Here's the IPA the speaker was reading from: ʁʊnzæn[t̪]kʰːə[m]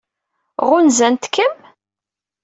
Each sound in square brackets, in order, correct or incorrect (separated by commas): correct, correct